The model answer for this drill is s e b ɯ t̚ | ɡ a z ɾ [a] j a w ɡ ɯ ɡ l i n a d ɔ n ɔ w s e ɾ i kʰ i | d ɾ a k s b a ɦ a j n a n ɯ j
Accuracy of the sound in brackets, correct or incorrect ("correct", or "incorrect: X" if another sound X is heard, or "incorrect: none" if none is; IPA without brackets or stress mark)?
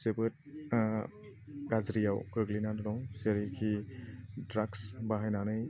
incorrect: i